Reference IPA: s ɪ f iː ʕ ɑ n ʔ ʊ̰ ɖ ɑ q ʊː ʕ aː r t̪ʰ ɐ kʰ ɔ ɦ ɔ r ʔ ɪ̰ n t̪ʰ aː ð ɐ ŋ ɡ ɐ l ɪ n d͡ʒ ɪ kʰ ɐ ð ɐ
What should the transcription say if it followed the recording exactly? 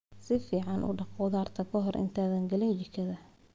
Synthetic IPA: s ɪ f iː ʕ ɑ n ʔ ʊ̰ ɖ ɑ q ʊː ð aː r t̪ʰ ɐ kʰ ɔ ɦ ɔ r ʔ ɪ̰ n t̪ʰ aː ð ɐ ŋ ɡ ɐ l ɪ n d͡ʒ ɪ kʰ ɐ ð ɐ